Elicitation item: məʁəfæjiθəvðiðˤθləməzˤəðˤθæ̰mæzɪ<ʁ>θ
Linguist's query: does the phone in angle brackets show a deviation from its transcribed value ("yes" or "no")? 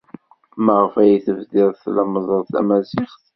yes